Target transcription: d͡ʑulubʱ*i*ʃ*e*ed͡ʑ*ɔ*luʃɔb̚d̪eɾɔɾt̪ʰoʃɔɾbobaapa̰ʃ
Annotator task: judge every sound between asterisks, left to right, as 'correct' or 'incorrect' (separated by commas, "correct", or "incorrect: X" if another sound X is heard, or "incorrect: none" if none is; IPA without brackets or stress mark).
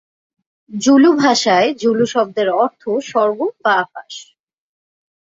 incorrect: a, incorrect: a, incorrect: u